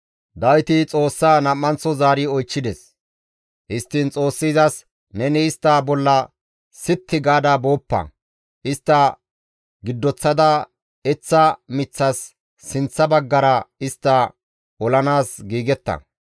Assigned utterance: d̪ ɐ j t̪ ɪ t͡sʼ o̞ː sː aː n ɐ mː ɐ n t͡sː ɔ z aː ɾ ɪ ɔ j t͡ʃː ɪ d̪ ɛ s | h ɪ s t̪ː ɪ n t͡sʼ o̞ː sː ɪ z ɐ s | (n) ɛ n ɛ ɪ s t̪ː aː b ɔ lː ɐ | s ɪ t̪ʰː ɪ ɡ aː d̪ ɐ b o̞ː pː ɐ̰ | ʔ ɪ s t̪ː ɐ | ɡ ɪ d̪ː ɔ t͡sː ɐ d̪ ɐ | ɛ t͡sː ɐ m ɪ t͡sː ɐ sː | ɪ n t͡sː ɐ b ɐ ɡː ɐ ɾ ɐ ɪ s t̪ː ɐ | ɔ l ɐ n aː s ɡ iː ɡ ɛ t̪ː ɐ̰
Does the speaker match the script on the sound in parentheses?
yes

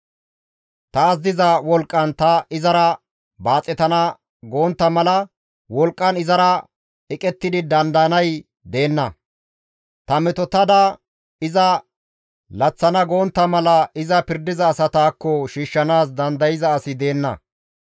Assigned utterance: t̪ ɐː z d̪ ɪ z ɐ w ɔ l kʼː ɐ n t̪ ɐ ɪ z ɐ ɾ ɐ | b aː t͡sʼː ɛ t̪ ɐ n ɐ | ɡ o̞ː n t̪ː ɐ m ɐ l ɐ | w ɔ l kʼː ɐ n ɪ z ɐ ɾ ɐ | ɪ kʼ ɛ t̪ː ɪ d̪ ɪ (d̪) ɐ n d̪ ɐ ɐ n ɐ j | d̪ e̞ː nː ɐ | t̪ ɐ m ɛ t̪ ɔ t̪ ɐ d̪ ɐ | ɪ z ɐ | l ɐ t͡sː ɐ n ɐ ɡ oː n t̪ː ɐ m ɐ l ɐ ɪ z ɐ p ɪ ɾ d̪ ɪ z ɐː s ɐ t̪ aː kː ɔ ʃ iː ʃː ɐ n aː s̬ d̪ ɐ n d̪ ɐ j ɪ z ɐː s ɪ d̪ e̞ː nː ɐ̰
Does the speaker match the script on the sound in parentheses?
yes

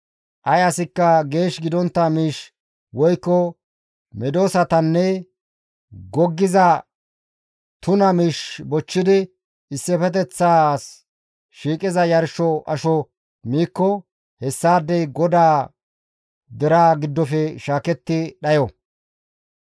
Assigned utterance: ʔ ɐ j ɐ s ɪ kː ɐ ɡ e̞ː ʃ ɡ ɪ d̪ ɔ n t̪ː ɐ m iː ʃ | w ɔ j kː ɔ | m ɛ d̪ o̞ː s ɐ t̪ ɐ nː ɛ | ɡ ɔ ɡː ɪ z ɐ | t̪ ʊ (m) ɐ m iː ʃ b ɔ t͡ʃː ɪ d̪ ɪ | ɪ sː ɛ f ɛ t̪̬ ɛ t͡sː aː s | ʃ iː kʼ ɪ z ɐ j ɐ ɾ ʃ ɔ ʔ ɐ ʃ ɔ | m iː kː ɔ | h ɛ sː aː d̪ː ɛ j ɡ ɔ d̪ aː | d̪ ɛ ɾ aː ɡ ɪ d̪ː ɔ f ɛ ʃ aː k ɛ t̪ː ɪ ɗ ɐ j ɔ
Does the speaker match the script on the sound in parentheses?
no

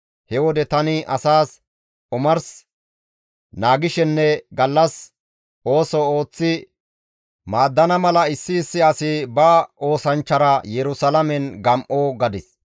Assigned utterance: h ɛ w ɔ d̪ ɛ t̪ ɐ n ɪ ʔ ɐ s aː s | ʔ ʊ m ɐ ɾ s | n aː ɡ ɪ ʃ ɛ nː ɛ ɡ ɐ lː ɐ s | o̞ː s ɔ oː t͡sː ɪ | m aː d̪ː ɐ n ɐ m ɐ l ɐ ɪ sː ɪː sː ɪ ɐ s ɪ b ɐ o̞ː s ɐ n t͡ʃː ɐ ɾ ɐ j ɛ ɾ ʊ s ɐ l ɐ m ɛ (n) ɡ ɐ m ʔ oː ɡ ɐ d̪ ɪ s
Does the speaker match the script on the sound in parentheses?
yes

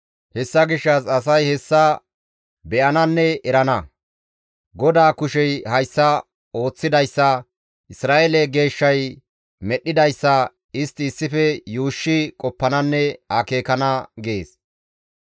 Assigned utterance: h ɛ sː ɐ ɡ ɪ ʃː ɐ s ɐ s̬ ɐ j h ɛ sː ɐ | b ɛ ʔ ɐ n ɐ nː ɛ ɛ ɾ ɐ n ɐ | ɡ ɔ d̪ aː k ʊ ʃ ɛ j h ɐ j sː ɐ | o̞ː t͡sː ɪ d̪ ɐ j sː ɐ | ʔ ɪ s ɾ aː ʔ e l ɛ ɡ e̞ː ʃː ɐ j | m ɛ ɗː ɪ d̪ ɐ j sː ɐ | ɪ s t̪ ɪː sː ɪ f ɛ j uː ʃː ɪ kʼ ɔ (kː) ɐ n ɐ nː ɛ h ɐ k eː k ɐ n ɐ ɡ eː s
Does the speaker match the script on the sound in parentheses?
no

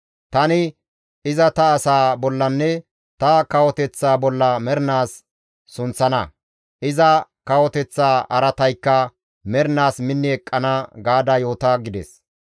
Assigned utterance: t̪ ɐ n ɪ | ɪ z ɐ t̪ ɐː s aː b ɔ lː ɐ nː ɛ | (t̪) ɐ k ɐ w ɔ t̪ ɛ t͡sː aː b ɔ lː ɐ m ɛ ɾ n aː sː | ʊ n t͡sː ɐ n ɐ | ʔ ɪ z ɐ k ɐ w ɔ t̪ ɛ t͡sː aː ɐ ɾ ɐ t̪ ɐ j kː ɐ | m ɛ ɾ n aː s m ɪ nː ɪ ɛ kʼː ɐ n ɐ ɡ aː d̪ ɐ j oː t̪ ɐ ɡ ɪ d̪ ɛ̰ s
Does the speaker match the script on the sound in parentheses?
yes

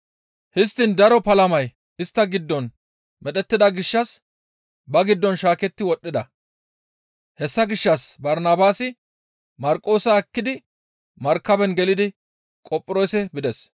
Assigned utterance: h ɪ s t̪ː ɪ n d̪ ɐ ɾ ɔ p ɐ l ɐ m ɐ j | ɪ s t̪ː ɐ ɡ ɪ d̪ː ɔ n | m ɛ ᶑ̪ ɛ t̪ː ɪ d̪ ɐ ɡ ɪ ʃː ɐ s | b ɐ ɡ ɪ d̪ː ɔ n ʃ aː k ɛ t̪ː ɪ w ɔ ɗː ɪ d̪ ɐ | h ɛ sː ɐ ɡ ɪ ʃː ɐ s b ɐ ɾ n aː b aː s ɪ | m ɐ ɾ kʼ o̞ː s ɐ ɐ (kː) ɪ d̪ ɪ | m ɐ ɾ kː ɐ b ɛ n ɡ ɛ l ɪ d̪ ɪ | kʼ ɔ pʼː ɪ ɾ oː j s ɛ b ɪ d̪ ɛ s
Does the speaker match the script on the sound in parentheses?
yes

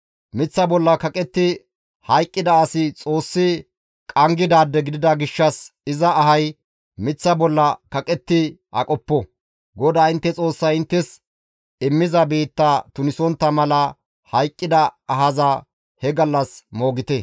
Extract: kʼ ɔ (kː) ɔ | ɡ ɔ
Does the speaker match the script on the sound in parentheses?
no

